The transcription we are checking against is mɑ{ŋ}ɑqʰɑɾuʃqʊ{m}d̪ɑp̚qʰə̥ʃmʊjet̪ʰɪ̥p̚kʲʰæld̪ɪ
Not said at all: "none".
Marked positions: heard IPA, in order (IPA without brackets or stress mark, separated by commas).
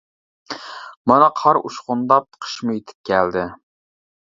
n, n